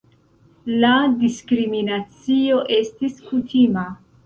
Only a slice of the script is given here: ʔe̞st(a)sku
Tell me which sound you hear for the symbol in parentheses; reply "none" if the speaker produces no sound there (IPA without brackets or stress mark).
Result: i